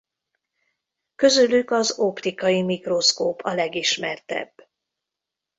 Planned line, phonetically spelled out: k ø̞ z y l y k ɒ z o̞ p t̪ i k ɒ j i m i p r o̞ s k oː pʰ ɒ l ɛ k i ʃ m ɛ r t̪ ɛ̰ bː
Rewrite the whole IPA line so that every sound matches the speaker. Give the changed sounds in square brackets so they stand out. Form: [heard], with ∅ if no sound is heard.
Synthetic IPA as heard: k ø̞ z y l y k ɒ z o̞ p t̪ i k ɒ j i m i [k] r o̞ s k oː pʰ ɒ l ɛ [ɡ] i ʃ m ɛ r t̪ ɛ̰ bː